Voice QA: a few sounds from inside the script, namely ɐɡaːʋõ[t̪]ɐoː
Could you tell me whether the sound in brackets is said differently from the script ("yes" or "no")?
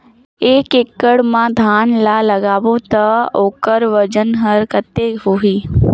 no